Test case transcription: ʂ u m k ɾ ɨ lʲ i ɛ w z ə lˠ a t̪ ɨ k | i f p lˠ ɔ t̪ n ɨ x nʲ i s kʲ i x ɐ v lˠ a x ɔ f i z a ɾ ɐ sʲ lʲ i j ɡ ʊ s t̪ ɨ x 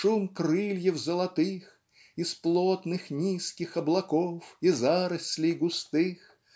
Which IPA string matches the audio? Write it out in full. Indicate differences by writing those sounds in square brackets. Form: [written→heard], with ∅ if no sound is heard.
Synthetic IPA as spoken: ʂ u m k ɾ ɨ lʲ [i→j] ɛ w z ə lˠ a t̪ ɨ [k→x] | i [f→s] p lˠ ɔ t̪ n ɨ x nʲ i s kʲ i x ɐ [v→b] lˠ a [x→k] ɔ f i z a ɾ ɐ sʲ lʲ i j ɡ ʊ s t̪ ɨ x